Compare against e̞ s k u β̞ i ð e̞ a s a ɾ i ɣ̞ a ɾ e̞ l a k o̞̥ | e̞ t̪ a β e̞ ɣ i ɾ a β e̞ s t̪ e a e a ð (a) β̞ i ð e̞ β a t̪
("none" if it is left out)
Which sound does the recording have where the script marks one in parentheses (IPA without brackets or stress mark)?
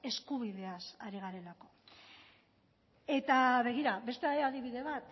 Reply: i